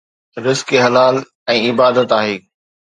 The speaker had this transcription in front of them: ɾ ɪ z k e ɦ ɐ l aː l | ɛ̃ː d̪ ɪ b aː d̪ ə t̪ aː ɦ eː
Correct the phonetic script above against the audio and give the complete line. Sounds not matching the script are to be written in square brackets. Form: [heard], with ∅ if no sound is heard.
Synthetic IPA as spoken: ɾ ɪ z k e ɦ ɐ l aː l | ɛ̃ː [∅] ɪ b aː d̪ ə t̪ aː ɦ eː